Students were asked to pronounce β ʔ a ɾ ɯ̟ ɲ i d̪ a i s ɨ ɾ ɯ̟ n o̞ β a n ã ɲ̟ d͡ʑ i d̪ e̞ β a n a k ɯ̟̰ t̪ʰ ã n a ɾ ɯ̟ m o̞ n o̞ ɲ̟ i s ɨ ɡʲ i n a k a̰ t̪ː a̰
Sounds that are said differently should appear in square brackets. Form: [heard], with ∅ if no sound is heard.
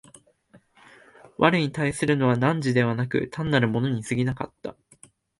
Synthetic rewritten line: β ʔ a ɾ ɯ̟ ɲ i [t̪] a i s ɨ ɾ ɯ̟ n o̞ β a n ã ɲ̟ d͡ʑ i d̪ e̞ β a n a k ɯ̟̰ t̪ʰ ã [nː] a ɾ ɯ̟ m o̞ n o̞ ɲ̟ i s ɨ ɡʲ i n a k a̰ t̪ː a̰